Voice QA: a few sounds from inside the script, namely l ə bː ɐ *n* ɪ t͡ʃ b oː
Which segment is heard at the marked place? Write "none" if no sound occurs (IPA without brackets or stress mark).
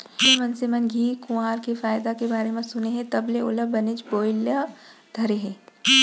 n